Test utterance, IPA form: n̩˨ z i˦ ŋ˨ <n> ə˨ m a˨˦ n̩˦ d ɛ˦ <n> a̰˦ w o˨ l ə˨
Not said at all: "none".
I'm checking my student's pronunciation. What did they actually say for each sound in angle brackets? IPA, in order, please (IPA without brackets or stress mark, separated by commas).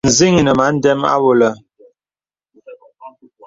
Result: n, m